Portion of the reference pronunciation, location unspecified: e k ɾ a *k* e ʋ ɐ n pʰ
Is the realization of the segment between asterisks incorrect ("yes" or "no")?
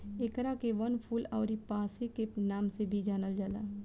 no